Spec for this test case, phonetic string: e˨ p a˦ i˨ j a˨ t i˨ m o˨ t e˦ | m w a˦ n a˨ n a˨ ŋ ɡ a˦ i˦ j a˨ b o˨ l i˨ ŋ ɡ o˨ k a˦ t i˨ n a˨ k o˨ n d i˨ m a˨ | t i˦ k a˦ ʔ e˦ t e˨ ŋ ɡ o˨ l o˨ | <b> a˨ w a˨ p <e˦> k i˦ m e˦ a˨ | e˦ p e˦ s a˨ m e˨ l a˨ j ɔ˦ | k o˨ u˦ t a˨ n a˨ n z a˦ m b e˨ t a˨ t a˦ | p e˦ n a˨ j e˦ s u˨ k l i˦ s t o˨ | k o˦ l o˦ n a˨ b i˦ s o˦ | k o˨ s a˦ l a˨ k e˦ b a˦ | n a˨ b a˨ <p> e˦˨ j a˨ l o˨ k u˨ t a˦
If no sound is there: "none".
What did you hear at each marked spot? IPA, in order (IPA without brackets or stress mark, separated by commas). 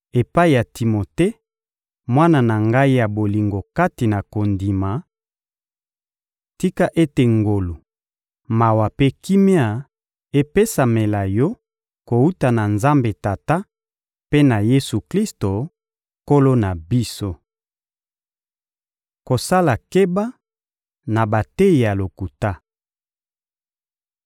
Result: m, e˦, t